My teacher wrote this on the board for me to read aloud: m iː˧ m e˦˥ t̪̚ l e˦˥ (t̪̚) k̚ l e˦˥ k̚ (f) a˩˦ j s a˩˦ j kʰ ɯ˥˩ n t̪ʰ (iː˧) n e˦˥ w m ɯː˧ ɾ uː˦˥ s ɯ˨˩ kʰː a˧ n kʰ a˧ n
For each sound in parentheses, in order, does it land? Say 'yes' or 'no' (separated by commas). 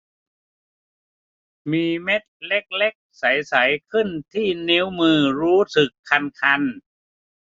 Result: no, no, no